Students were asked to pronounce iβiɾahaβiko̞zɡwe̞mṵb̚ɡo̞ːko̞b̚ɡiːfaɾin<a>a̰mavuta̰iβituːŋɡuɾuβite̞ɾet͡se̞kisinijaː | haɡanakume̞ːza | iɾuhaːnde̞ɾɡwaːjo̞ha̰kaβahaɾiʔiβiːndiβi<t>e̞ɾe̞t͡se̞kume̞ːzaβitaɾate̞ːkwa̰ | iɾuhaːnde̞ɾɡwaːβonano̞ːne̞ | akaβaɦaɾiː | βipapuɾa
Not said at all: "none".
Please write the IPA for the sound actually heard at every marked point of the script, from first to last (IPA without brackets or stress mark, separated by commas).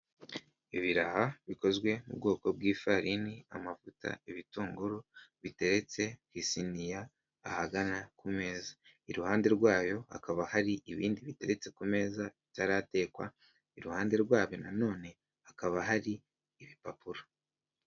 i, t